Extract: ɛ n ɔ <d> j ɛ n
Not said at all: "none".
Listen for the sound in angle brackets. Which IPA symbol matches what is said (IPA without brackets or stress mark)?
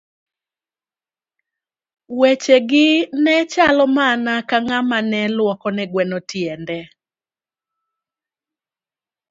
t